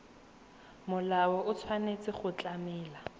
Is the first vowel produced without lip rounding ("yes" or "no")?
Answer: no